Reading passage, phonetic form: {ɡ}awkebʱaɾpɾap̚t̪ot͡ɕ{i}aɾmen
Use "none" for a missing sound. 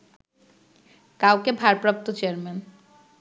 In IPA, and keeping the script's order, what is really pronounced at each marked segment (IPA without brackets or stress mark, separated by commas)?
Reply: k, e